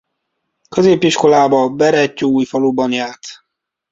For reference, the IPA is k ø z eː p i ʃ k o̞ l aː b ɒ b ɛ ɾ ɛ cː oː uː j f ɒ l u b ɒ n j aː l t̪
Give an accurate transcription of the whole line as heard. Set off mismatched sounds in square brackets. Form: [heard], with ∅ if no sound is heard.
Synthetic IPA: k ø z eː p i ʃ k o̞ l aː b ɒ b ɛ ɾ ɛ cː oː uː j f ɒ l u b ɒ n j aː [r] t̪